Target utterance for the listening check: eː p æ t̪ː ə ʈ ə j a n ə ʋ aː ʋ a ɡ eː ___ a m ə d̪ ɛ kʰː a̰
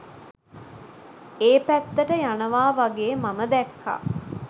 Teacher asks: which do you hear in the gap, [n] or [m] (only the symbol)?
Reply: m